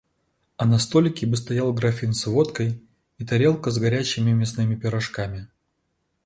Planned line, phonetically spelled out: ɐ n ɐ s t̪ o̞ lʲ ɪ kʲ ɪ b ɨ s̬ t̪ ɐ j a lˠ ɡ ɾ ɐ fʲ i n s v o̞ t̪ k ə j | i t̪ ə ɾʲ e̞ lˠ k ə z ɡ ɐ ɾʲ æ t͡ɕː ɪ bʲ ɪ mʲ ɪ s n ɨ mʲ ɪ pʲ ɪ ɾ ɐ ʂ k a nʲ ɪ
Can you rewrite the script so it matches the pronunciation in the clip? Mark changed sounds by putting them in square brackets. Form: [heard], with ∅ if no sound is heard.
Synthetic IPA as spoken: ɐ n ɐ s t̪ o̞ lʲ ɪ kʲ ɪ b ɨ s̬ t̪ ɐ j a lˠ ɡ ɾ ɐ fʲ i n s v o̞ t̪ k ə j | i t̪ [ɐ] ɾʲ e̞ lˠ k ə z ɡ ɐ ɾʲ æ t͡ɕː ɪ [mʲ] ɪ mʲ ɪ s n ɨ mʲ ɪ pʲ ɪ ɾ ɐ ʂ k a [mʲ] ɪ

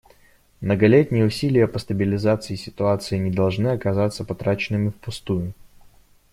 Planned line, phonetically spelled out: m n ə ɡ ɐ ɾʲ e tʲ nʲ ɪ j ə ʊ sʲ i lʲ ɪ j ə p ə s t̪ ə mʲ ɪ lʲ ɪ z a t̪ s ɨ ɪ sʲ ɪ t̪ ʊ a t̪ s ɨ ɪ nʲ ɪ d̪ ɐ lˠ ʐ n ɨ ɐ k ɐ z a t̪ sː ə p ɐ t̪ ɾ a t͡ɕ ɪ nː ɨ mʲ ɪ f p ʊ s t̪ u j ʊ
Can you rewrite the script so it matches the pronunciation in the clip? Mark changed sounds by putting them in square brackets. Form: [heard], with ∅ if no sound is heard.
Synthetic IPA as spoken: m n ə ɡ ɐ [lʲ] e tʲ nʲ ɪ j ə ʊ sʲ i lʲ ɪ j ə p ə s t̪ ə [bʲ] ɪ lʲ ɪ z a t̪ s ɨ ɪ sʲ ɪ t̪ ʊ a t̪ s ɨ ɪ nʲ ɪ d̪ ɐ lˠ ʐ n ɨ ɐ k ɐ z a t̪ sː ə p ɐ t̪ ɾ a t͡ɕ ɪ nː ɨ mʲ ɪ f p ʊ s t̪ u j ʊ

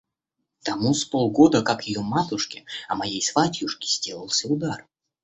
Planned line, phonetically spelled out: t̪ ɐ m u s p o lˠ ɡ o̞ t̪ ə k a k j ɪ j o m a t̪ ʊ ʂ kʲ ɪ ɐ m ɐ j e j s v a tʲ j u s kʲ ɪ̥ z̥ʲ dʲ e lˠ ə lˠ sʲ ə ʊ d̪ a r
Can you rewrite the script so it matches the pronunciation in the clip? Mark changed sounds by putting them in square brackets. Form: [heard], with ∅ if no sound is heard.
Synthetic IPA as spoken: t̪ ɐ m u s p o lˠ ɡ o̞ [d̪] ə k a k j ɪ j o m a t̪ ʊ ʂ kʲ ɪ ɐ m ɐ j e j s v a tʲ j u [ʂ] kʲ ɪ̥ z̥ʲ dʲ e lˠ ə lˠ sʲ ə ʊ d̪ a r

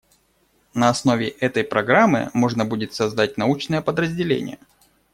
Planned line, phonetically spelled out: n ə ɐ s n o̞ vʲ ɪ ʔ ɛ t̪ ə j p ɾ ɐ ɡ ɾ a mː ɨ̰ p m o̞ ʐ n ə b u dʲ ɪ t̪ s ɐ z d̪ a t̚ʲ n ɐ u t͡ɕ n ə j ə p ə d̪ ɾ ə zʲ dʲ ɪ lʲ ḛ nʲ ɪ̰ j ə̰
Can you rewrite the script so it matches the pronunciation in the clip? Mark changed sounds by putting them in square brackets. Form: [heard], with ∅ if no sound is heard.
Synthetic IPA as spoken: n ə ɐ s n o̞ vʲ ɪ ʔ ɛ t̪ ə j p ɾ ɐ ɡ ɾ a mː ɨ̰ [∅] m o̞ ʐ n ə b u dʲ ɪ t̪ s ɐ z d̪ a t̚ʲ n ɐ u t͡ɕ n ə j ə p ə d̪ ɾ ə zʲ dʲ ɪ lʲ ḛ nʲ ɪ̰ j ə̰

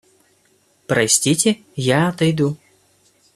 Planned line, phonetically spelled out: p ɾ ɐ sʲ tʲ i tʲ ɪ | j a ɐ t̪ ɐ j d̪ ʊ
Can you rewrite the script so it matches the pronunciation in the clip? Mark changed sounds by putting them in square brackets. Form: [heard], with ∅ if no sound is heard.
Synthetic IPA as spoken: p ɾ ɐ sʲ tʲ i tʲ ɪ | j a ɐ t̪ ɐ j d̪ [u]

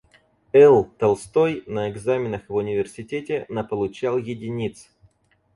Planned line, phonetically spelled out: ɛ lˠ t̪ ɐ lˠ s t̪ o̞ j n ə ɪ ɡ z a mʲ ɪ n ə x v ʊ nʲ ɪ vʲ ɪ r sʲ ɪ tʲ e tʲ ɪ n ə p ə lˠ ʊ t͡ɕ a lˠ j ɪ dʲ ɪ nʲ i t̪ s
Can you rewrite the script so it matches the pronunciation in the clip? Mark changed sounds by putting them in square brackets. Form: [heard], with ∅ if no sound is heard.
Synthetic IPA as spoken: ɛ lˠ t̪ ɐ lˠ s t̪ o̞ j n ə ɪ ɡ z a mʲ ɪ n ə x v ʊ nʲ ɪ vʲ ɪ r sʲ ɪ tʲ e tʲ ɪ n ə p ə lˠ ʊ t͡ɕ a lˠ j ɪ dʲ ɪ nʲ i t̪ s

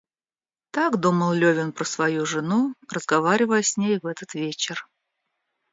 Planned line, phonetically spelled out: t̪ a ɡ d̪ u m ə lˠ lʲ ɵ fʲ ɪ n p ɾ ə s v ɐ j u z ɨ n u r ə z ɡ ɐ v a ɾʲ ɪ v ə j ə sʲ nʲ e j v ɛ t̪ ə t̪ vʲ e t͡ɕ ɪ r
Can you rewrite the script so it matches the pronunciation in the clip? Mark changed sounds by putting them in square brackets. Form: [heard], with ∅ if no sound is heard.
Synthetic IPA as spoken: t̪ a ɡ d̪ u m ə lˠ lʲ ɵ [vʲ] ɪ n p ɾ ə s v ɐ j u [ʐ] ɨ n u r ə z ɡ ɐ v a ɾʲ ɪ v ə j ə sʲ nʲ e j v ɛ t̪ ə t̪ vʲ e t͡ɕ ɪ r

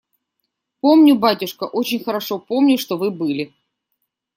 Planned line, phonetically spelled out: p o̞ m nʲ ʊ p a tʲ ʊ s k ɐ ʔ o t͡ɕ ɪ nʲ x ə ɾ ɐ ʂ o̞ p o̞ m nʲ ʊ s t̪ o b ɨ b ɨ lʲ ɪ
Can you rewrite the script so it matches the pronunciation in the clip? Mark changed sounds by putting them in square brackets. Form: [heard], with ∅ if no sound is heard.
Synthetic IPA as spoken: p o̞ m nʲ ʊ [b] a tʲ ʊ [ʂ] k [ə] ʔ o t͡ɕ ɪ nʲ x ə ɾ ɐ ʂ o̞ p o̞ m nʲ ʊ [ʂ] t̪ o [v] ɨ b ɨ lʲ ɪ

